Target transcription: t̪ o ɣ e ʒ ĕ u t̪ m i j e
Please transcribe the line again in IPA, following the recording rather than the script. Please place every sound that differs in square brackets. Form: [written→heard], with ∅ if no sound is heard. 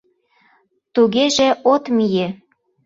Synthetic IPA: t̪ [o→u] ɣ e ʒ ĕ [u→o] t̪ m i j e